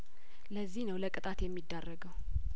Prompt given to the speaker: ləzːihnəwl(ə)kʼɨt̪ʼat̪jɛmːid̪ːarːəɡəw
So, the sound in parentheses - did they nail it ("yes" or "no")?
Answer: yes